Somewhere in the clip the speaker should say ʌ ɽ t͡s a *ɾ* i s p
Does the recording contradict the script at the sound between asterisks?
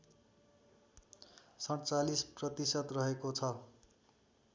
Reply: yes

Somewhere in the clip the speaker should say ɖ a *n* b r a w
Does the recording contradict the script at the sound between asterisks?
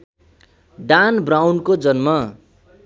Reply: no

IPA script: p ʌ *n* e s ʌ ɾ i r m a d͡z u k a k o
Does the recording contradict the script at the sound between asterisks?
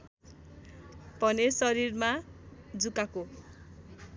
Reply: no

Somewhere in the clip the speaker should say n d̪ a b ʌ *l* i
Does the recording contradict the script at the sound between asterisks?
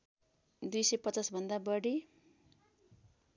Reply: yes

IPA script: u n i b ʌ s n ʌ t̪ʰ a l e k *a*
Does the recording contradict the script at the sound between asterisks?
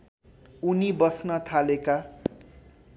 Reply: no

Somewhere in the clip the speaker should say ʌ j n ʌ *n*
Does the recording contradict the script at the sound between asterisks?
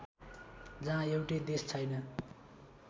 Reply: yes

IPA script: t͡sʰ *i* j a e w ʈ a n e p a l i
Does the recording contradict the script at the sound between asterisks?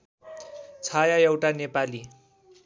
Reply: yes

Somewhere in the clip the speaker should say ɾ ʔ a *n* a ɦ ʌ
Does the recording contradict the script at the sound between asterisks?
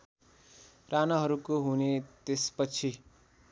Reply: no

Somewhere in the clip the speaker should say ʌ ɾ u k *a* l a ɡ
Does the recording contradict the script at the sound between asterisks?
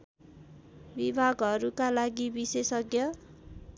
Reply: no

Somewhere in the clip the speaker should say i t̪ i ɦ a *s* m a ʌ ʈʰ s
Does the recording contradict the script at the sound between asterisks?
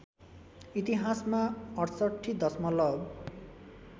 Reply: no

